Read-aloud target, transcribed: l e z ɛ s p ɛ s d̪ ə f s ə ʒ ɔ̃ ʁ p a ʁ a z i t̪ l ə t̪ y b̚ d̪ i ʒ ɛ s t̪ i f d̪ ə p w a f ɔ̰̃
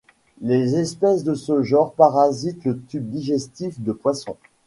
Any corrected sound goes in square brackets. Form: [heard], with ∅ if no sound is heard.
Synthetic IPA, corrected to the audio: l e z ɛ s p ɛ s d̪ ə [∅] s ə ʒ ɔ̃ ʁ p a ʁ a z i t̪ l ə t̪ y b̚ d̪ i ʒ ɛ s t̪ i f d̪ ə p w a [s] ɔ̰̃